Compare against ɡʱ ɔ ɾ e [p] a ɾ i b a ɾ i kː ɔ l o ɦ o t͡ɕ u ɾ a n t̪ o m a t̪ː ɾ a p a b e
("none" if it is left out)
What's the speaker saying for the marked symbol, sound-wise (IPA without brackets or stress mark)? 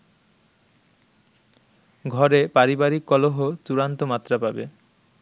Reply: p